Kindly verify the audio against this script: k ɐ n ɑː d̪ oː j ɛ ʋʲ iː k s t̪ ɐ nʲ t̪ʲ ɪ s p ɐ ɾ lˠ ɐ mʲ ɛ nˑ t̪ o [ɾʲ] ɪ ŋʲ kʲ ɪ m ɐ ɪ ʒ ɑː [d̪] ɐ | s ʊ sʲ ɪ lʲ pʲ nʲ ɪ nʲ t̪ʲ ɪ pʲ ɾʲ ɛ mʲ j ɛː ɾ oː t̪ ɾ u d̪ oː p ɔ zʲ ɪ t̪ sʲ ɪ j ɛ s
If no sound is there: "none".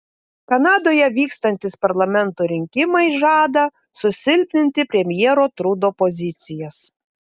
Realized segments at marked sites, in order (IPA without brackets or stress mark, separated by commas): ɾʲ, d̪